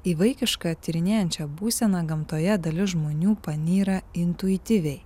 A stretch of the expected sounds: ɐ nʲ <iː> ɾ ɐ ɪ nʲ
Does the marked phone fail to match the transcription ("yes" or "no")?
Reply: no